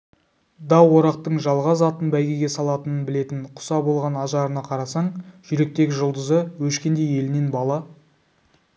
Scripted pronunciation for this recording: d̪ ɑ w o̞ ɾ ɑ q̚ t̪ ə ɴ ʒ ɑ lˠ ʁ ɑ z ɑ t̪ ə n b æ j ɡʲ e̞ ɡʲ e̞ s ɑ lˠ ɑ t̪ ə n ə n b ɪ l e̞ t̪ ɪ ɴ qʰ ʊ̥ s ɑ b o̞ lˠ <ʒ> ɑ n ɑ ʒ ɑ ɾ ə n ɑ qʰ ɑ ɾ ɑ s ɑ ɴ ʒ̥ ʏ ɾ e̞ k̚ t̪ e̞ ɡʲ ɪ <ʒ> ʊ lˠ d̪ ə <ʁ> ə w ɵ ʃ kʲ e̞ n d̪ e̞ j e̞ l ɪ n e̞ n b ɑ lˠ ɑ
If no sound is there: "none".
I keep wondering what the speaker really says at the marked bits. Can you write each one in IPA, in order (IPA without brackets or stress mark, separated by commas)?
ʁ, ʒ, z